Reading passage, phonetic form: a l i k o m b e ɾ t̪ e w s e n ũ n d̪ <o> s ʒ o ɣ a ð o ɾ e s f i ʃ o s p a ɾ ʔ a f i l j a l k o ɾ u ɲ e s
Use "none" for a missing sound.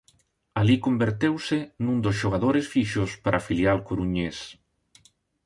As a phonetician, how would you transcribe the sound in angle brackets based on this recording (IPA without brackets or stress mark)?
o